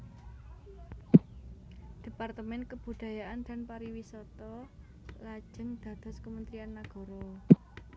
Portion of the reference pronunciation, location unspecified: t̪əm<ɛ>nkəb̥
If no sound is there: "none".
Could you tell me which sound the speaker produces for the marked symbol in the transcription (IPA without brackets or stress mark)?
ɛ